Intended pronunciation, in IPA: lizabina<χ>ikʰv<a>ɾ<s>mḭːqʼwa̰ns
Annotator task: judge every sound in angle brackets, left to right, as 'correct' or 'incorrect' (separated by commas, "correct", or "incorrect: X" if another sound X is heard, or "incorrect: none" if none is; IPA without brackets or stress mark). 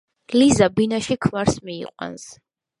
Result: incorrect: ʃ, correct, correct